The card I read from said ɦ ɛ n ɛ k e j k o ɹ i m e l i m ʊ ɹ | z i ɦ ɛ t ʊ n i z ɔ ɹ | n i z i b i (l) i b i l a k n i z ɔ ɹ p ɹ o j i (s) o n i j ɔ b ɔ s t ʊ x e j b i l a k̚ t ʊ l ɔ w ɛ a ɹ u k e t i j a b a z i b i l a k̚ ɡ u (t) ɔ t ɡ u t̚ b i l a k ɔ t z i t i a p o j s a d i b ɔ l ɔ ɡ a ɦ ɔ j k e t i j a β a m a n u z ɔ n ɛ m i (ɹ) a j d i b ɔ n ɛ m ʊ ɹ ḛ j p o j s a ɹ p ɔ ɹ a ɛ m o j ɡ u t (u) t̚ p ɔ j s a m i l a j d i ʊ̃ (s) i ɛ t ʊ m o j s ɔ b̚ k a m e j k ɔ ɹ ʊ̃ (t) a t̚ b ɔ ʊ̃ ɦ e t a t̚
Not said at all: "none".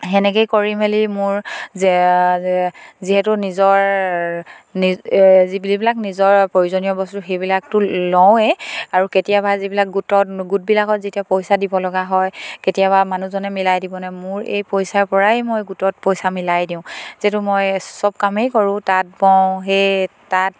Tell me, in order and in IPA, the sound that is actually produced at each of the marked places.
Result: l, z, t, l, ɔ, z, t

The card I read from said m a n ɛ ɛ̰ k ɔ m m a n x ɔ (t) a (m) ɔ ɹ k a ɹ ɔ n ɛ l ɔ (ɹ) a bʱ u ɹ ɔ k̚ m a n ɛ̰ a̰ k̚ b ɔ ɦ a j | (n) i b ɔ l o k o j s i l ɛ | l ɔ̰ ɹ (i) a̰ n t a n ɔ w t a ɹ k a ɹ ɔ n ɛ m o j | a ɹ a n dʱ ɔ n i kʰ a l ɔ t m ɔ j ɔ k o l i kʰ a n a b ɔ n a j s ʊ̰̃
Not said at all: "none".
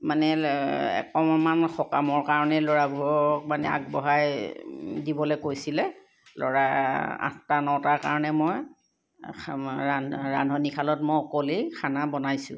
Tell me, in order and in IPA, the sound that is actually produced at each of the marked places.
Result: k, m, ɹ, d, a

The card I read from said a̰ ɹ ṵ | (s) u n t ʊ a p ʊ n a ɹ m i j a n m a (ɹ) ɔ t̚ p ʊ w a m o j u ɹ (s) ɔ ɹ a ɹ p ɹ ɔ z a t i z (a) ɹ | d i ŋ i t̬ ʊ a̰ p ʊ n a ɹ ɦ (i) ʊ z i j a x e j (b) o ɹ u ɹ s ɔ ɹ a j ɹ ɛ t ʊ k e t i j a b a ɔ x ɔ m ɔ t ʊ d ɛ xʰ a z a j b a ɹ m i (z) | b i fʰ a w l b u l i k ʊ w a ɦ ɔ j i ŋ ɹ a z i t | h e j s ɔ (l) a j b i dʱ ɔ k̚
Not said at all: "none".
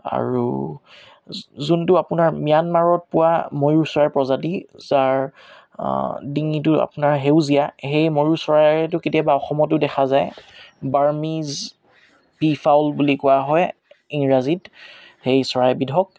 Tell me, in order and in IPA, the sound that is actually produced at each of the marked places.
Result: z, ɹ, s, a, e, m, z, ɹ

